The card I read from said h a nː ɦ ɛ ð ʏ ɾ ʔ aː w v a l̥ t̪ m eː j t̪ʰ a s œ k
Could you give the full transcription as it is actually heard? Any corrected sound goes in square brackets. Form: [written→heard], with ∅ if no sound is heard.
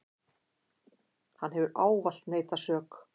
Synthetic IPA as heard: h a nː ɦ ɛ [ð→v] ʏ ɾ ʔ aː w v a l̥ t̪ [m→n] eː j [t̪ʰ→t̪] a s [œ→œː] k